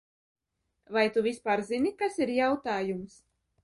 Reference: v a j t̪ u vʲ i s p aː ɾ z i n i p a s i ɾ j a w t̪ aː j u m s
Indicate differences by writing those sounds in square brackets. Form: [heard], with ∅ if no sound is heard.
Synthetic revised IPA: v a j t̪ u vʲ i s p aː ɾ z i n i [k] a s i ɾ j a w t̪ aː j u m s

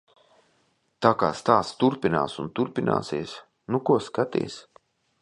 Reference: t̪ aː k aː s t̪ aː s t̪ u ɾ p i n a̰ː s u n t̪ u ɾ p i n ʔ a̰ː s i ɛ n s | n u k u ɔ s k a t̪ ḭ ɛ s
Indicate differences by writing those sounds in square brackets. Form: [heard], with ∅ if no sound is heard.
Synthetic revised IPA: t̪ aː k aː s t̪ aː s t̪ u ɾ p i n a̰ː s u n t̪ u ɾ p i n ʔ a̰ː s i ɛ [∅] s | n u k u ɔ s k a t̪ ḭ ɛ s

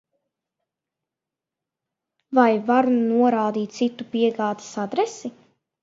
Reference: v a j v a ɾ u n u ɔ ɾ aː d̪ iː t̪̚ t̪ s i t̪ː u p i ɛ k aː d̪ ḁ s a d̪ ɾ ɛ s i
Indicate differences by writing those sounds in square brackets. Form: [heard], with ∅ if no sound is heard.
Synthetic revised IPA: v a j v a ɾ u n u ɔ ɾ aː d̪ iː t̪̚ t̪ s i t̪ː u p i ɛ [ɡ] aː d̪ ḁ s a d̪ ɾ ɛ s i

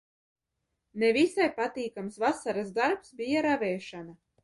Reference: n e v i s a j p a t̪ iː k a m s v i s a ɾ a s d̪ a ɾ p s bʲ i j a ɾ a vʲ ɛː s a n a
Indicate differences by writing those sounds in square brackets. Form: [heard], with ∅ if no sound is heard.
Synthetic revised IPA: n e v i s a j p a t̪ iː k a m s v [a] s a ɾ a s d̪ a ɾ p s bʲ i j a ɾ a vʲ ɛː [ʃ] a n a

